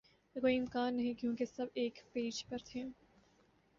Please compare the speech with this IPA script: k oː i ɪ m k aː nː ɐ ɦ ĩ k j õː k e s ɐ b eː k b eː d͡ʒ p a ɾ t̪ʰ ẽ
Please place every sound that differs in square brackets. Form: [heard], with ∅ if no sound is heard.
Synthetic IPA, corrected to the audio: k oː i ɪ m k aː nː ɐ ɦ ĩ k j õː k e s ɐ b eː k [p] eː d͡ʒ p [ɐ] ɾ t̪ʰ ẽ